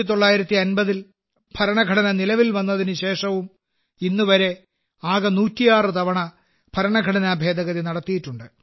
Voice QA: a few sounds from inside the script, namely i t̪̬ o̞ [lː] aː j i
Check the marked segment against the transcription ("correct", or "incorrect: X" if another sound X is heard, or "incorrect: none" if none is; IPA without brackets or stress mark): incorrect: ɭː